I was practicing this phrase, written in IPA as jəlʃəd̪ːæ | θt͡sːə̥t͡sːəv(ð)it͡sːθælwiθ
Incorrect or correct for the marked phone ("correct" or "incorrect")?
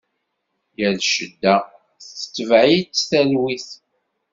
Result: incorrect